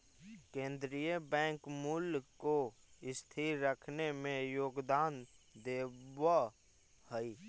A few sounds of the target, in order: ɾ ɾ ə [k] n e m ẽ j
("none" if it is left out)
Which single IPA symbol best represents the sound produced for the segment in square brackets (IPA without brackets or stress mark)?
kʰ